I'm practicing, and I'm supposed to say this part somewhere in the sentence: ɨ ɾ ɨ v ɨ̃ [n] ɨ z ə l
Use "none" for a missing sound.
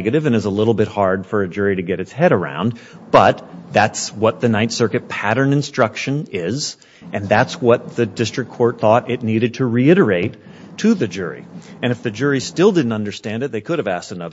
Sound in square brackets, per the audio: n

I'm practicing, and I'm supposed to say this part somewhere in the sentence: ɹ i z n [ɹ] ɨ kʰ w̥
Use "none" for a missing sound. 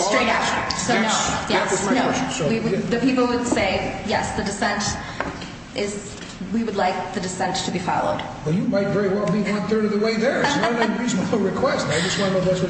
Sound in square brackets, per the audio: ɹ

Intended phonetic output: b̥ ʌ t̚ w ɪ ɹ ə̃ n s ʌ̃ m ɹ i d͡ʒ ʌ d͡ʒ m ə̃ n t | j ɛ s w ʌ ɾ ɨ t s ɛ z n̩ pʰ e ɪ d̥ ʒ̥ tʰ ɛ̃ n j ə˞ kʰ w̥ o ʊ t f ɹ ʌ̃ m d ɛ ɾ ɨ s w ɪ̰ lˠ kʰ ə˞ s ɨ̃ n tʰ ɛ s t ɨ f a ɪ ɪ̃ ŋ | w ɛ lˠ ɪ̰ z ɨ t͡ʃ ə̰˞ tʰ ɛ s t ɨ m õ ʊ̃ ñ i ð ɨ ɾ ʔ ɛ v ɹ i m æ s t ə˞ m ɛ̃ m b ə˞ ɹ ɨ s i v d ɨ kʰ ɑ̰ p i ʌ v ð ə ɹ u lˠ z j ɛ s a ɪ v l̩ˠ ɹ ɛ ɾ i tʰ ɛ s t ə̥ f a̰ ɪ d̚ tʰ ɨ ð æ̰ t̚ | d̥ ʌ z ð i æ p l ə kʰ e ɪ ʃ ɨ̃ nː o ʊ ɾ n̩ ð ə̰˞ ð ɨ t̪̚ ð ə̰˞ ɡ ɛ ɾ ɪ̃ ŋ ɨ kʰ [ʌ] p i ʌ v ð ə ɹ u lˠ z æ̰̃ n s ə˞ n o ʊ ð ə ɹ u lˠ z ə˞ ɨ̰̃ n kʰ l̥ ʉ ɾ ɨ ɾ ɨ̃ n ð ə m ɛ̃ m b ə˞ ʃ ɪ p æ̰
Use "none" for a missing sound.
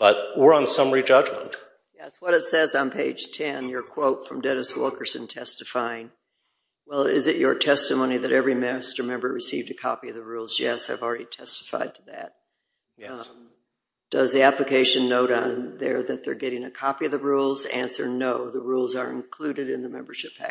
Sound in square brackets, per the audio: ɑ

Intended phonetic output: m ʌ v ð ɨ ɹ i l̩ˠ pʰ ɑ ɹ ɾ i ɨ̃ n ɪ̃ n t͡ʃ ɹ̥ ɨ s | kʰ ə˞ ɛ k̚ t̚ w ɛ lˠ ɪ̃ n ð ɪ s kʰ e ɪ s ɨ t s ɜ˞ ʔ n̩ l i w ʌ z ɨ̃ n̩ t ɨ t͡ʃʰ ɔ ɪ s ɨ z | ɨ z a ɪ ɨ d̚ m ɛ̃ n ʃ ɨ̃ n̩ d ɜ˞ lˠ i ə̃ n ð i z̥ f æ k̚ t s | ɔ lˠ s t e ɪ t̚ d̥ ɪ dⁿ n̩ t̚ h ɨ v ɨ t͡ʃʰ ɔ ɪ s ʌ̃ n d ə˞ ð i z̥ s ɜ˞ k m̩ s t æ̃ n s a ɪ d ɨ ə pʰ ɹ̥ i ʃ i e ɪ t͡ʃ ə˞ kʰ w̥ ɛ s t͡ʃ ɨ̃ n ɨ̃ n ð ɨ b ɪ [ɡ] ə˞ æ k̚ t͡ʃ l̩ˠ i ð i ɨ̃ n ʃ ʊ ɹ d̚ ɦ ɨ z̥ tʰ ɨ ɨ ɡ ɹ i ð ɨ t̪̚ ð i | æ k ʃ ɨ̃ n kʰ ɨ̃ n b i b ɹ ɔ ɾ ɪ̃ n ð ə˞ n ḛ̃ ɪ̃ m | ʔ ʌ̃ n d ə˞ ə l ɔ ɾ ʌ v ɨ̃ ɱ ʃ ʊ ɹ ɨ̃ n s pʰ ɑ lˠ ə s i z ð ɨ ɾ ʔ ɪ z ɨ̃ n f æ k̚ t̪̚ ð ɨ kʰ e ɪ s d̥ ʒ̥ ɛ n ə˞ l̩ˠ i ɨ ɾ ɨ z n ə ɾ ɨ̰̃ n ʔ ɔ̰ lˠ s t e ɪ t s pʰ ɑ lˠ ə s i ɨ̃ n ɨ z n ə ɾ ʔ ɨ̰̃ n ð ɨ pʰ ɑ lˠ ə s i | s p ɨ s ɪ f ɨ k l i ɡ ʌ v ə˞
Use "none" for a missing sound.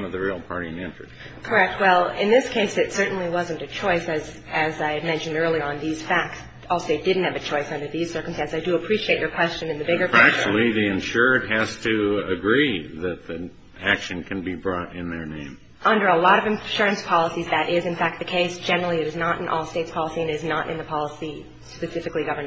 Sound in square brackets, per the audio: ɡ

